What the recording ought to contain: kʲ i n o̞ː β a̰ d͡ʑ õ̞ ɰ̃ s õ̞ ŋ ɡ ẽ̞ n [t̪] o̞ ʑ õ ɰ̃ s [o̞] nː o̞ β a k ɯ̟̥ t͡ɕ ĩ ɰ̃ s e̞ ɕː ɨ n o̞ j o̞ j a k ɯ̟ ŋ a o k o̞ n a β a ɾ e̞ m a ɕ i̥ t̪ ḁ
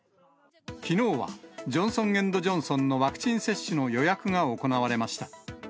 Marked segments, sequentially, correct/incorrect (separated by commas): incorrect, incorrect